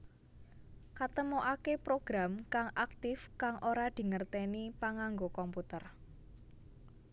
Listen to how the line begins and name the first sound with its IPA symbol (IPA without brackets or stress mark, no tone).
k